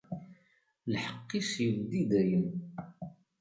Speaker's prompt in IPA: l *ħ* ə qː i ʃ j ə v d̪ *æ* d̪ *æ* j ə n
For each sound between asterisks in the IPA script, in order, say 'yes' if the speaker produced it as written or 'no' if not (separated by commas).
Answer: yes, no, yes